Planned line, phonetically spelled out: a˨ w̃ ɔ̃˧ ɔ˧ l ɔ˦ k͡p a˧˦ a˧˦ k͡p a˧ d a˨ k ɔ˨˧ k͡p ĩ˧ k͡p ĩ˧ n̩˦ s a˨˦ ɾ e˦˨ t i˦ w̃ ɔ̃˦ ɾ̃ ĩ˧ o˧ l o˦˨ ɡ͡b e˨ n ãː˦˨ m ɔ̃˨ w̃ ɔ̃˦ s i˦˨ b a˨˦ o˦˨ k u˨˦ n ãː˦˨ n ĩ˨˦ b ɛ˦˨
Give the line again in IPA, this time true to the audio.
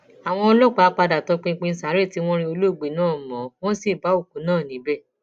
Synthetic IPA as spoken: a˨ w̃ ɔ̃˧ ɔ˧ l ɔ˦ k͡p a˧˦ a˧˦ k͡p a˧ d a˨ t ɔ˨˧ k͡p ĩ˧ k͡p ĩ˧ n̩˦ s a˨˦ ɾ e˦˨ t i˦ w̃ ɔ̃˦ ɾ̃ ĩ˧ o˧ l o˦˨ ɡ͡b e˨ n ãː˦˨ m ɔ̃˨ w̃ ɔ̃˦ s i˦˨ b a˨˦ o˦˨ k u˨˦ n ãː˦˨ n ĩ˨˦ b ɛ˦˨

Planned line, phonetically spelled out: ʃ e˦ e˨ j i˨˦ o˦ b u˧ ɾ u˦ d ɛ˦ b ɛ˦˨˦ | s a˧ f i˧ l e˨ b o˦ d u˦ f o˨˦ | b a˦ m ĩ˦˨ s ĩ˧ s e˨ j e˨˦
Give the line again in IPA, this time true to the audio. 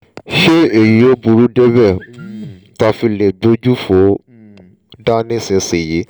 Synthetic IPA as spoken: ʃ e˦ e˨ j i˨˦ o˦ b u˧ ɾ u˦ d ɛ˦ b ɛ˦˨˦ | t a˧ f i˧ l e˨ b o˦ d͡ʒ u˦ f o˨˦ | d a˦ n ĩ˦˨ s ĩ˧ s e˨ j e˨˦

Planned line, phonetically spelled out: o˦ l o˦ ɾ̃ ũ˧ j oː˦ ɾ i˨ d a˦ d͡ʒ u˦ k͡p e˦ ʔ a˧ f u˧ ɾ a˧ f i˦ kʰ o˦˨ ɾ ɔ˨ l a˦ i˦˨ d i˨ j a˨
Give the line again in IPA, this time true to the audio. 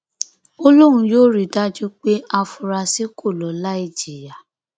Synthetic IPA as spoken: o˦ l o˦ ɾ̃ ũ˧ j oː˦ ɾ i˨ d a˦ d͡ʒ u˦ k͡p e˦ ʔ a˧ f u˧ ɾ a˧ s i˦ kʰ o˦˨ l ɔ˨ l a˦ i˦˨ d͡ʒ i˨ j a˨

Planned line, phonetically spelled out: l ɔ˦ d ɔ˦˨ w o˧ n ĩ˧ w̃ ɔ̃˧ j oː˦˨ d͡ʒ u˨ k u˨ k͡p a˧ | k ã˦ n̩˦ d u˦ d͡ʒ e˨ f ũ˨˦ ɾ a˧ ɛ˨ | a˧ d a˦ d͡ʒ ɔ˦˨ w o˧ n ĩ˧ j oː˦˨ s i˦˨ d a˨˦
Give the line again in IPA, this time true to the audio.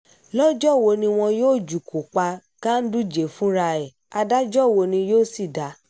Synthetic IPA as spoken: l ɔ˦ d͡ʒ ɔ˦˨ w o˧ n ĩ˧ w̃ ɔ̃˧ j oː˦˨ d͡ʒ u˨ k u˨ k͡p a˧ | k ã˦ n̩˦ d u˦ d͡ʒ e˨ f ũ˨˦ ɾ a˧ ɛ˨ | a˧ d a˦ d͡ʒ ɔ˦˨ w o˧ n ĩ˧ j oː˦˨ s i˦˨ d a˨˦

